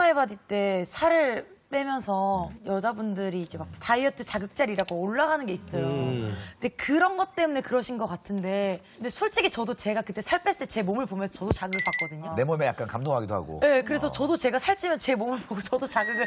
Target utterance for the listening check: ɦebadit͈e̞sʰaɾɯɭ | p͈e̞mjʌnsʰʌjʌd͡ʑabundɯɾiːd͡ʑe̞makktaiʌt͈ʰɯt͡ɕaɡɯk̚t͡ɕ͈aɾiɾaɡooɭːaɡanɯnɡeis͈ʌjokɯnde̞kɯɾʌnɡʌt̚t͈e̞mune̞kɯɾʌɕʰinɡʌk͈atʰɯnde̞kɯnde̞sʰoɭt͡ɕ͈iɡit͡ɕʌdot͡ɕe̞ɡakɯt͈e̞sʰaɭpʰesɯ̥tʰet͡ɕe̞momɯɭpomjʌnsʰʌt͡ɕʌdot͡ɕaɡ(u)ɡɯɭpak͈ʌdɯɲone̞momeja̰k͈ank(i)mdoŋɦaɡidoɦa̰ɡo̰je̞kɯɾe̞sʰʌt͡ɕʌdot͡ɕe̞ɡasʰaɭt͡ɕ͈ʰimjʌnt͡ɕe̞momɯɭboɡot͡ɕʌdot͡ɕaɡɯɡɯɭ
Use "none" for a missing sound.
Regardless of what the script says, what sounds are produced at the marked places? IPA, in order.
ɯ, a

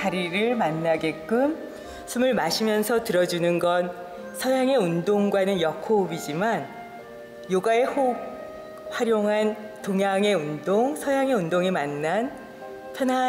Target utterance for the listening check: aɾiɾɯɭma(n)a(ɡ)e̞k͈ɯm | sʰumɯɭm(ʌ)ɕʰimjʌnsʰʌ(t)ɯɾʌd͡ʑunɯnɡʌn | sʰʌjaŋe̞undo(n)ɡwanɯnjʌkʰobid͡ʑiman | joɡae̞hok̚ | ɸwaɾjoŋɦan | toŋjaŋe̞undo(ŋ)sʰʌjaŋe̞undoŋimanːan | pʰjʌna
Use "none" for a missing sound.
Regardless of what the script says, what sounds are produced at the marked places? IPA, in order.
nː, ɡ, a, t, ŋ, ŋ

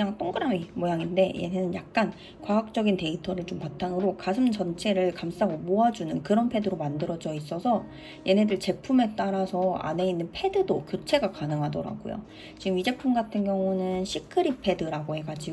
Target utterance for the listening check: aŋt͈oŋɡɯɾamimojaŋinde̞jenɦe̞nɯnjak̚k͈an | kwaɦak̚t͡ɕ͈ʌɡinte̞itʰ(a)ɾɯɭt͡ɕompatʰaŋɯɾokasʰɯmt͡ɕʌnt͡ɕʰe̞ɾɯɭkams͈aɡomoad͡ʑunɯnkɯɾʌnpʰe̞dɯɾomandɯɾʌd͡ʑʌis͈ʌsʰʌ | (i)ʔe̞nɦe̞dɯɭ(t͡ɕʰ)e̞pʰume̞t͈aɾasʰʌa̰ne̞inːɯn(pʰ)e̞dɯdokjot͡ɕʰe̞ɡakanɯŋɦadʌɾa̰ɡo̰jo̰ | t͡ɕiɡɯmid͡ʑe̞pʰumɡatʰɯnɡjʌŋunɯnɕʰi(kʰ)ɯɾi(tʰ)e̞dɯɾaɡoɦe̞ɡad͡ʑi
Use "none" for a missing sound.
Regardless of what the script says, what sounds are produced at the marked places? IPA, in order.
ʌ, j, t͡ɕ, pʰ, kʰ, pʰ

